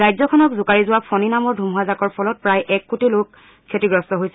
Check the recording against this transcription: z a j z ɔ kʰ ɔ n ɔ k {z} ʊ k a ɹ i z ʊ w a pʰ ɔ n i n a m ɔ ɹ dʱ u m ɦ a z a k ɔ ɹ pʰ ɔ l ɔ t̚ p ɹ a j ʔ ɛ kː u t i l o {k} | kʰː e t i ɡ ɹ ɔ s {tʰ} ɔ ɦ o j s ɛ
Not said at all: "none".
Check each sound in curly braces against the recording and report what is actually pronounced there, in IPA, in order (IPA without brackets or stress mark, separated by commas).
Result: z, k, t